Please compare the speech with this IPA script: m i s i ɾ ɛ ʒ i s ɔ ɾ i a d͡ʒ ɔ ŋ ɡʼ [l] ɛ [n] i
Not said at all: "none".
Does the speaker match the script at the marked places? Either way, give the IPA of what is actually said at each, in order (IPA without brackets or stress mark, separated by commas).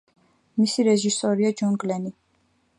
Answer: l, n